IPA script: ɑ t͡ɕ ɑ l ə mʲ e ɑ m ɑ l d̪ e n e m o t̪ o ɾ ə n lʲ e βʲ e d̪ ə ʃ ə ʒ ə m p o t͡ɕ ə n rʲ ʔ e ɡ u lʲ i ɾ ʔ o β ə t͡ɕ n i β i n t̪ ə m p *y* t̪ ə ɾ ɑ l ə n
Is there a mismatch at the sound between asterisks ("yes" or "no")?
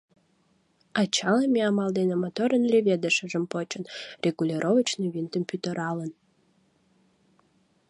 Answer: no